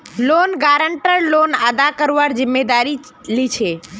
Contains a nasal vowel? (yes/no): no